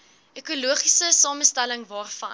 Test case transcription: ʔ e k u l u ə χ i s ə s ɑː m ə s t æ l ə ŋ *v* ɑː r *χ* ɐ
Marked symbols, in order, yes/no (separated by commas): yes, no